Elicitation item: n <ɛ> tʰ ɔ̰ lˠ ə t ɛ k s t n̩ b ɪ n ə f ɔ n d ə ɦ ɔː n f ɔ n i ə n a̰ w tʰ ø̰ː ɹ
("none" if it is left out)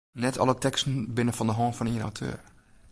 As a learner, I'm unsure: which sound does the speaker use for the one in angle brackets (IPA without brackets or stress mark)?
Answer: ɛ